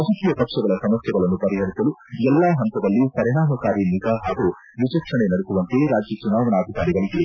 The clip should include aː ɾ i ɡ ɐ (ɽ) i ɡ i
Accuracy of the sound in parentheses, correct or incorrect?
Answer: incorrect